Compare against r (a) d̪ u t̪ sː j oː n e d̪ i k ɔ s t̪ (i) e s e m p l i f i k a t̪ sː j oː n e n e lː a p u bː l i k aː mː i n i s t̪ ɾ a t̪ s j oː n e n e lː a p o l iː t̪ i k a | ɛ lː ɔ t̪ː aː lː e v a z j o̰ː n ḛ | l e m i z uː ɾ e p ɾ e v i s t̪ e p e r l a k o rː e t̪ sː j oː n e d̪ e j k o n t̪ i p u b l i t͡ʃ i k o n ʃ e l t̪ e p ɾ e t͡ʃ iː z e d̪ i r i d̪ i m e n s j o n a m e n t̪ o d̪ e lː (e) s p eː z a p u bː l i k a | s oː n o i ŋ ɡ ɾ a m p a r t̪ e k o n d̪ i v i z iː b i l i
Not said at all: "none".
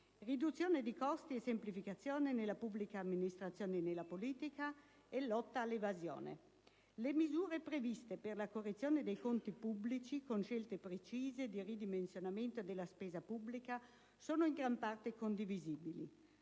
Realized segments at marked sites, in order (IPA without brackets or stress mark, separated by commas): i, i, a